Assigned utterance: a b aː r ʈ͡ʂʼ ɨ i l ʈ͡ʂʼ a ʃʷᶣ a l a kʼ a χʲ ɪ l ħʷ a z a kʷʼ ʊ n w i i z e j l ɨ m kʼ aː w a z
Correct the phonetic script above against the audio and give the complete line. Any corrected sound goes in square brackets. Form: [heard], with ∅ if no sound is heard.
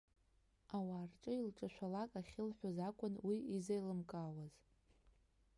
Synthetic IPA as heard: a [w] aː r ʈ͡ʂʼ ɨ i l ʈ͡ʂʼ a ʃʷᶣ a l a kʼ a χʲ ɪ l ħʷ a z a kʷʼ ʊ n w i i z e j l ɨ m kʼ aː w a z